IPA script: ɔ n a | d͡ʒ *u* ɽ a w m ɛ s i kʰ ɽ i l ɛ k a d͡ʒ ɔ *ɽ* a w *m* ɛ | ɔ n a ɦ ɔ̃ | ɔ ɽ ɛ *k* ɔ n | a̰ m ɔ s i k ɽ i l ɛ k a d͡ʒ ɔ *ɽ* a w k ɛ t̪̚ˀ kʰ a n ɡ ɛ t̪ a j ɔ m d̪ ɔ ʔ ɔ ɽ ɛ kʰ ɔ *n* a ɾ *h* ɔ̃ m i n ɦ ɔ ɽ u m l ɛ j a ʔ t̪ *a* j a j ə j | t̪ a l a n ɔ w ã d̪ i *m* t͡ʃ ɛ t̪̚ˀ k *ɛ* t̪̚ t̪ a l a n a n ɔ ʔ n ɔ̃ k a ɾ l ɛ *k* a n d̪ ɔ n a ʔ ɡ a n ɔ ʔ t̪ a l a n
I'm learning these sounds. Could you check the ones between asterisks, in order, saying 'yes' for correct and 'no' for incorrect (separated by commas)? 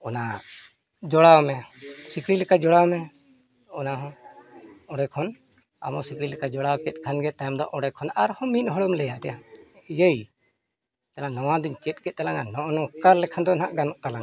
no, yes, yes, no, yes, yes, yes, no, no, yes, no